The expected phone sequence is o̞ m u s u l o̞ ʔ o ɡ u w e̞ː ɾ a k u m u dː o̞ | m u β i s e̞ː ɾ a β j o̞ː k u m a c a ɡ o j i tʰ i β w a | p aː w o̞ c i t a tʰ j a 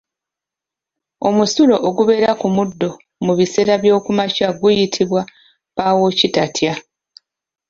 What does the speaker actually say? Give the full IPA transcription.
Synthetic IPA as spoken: o̞ m u s u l o̞ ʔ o ɡ u β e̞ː ɾ a k u m u dː o̞ | m u β i s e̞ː ɾ a β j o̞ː k u m a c a ɡ u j i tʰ i β w a | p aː w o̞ c i t a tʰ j a